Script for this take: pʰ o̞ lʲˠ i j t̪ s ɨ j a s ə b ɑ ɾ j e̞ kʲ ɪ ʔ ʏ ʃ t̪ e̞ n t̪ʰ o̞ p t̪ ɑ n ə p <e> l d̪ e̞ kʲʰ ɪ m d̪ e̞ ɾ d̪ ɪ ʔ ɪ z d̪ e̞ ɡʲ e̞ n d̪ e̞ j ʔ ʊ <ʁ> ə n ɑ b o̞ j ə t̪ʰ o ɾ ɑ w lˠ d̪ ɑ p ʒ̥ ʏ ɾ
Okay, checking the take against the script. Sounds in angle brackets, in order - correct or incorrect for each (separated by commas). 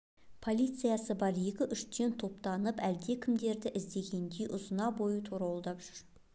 incorrect, incorrect